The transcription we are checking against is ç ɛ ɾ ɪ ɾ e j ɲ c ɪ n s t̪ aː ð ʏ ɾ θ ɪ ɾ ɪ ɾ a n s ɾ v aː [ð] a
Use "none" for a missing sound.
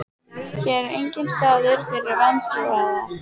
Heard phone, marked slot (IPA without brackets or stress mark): ð